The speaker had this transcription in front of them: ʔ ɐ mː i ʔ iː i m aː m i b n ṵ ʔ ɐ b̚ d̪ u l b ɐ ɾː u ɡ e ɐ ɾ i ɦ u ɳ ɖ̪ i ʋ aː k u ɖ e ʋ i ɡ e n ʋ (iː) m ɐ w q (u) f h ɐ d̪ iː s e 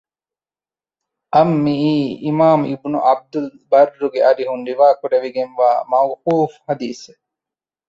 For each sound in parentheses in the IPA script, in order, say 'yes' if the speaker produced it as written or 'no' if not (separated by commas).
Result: no, no